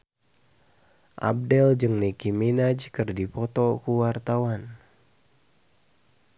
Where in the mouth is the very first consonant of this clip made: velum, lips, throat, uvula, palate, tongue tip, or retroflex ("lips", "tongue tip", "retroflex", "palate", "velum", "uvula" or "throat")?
throat